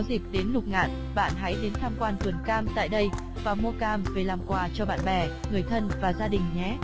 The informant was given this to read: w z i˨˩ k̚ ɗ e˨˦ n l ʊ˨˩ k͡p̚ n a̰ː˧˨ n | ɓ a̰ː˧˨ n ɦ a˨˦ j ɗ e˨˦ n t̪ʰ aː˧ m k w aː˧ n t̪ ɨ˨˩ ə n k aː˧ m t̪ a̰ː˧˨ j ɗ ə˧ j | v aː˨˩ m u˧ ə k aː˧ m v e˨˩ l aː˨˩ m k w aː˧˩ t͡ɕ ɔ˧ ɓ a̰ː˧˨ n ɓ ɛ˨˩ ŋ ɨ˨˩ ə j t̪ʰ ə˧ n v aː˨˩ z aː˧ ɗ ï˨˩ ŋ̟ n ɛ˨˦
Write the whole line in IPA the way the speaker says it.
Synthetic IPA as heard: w z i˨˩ k̚ ɗ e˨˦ n l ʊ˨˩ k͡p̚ ŋ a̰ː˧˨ n | ɓ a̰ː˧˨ n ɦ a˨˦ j ɗ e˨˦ n t̪ʰ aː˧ m k w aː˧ n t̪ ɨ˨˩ ə n k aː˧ m t̪ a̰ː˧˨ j ɗ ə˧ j | v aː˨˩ m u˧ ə k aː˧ m v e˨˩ l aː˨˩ m k w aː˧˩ t͡ɕ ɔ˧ ɓ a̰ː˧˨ n ɓ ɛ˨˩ ŋ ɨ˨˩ ə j t̪ʰ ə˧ n v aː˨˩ z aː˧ ɗ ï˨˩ ŋ̟ ɲ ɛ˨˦